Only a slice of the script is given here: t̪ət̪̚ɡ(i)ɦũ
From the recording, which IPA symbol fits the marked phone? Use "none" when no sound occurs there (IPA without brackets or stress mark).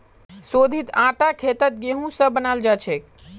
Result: e